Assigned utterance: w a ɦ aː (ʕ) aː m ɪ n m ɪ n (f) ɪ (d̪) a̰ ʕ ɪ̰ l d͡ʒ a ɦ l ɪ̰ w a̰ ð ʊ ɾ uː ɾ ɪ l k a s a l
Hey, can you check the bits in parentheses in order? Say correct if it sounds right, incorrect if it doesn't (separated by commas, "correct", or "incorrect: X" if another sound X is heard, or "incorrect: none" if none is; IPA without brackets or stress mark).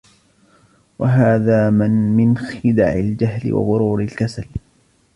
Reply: incorrect: ð, incorrect: x, correct